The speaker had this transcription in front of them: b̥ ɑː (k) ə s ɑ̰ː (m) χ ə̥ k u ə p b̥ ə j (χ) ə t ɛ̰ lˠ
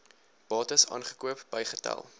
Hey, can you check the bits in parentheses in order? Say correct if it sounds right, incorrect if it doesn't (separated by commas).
incorrect, incorrect, correct